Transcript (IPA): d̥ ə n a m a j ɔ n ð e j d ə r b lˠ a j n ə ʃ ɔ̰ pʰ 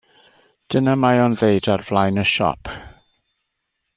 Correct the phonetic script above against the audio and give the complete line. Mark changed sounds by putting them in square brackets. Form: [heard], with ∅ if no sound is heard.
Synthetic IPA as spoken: d̥ ə n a m a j ɔ n ð e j d [a] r [v] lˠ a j n ə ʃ ɔ̰ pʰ